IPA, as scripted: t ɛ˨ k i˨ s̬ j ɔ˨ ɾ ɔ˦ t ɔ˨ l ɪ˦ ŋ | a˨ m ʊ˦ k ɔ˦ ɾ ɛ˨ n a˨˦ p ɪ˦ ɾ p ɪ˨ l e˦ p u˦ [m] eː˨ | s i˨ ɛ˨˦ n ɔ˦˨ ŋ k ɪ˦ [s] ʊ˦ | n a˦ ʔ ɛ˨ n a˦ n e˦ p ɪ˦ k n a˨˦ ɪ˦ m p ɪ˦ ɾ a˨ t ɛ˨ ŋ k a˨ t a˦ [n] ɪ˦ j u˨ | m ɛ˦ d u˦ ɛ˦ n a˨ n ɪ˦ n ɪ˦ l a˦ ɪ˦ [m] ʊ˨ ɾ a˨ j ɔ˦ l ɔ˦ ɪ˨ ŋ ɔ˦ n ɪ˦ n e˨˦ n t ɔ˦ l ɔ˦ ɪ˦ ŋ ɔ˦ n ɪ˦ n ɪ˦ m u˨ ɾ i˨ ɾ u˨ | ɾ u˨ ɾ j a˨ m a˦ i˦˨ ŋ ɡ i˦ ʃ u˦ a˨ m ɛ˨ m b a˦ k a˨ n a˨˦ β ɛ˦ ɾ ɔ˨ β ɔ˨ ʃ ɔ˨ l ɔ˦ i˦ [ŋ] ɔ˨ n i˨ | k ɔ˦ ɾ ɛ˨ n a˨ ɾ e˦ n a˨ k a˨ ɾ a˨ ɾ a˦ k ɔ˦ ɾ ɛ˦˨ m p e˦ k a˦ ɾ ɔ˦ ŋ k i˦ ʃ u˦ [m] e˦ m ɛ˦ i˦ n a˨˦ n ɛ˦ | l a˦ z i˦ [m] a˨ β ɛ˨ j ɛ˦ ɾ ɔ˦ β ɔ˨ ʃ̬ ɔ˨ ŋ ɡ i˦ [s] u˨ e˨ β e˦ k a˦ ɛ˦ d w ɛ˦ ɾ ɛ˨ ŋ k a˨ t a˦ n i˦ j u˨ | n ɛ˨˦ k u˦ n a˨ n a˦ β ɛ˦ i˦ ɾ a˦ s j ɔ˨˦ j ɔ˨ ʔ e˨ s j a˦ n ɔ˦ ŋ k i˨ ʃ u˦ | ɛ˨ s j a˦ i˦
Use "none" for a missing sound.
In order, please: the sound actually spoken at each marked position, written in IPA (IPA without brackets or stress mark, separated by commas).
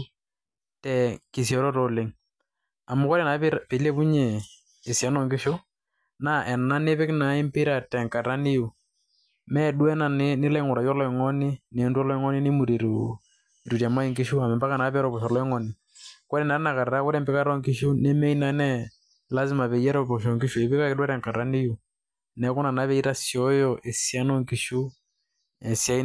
ɲ, ʃ, n, ŋ, ŋ, n, m, ʃ